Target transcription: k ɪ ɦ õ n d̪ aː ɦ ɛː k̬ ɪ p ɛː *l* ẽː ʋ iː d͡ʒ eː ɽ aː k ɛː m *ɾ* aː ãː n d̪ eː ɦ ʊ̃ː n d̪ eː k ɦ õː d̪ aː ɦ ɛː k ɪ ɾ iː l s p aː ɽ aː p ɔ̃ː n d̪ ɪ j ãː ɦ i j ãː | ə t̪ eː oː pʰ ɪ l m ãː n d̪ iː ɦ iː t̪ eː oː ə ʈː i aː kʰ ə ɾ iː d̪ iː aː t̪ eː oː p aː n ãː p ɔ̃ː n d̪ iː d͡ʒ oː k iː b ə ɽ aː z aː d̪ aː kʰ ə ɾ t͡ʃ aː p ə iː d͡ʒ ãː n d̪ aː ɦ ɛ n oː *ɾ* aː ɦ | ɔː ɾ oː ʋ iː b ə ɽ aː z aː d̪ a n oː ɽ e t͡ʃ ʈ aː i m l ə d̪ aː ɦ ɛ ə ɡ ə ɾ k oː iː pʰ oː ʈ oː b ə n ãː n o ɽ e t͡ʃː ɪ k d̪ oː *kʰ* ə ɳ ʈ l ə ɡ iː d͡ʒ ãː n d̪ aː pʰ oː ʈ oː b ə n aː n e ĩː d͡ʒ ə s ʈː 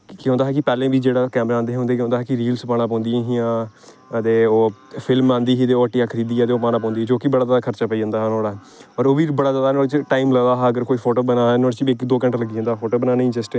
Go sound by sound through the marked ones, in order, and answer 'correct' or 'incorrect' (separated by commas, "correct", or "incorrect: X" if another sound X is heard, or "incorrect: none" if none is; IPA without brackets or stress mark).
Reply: correct, correct, incorrect: ɽ, incorrect: k